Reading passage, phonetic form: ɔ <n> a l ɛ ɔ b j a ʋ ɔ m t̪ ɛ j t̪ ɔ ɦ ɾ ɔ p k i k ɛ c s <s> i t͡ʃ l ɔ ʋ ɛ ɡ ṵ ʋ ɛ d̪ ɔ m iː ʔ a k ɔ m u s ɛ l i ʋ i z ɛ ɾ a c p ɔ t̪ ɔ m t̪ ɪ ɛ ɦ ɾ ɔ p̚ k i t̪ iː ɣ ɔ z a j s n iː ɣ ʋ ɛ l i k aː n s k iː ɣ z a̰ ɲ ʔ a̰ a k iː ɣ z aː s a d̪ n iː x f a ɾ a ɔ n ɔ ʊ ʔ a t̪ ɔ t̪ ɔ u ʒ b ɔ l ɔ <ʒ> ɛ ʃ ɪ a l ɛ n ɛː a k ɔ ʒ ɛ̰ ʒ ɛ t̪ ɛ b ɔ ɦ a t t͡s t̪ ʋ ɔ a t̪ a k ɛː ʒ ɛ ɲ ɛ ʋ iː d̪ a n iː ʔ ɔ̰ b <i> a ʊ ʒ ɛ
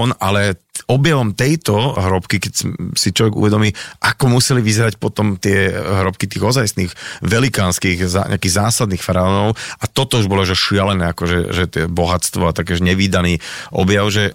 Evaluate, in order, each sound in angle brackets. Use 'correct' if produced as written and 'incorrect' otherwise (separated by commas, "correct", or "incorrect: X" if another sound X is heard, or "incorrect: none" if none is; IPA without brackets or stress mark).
correct, correct, correct, incorrect: j